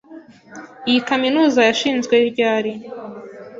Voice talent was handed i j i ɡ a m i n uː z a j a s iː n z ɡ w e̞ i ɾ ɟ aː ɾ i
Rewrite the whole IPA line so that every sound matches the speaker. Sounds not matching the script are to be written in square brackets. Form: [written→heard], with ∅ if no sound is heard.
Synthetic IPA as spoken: i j i [ɡ→k] a m i n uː z a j a [s→ʃ] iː n z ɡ w e̞ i ɾ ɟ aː ɾ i